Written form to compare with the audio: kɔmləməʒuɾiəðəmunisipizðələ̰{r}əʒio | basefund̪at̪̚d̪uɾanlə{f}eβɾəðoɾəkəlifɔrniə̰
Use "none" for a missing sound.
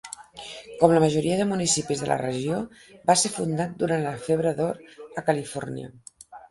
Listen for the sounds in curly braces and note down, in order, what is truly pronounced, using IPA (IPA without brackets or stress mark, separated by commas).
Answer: r, f